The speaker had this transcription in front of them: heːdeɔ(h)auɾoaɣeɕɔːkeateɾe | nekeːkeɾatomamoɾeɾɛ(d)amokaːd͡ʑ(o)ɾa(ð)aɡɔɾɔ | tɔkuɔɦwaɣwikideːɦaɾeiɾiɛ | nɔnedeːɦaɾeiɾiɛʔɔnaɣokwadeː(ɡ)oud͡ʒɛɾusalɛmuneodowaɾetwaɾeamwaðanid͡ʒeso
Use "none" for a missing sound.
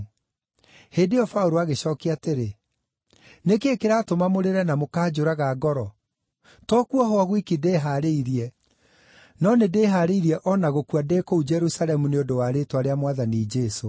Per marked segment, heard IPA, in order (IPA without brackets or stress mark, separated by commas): f, n, o, ɣ, k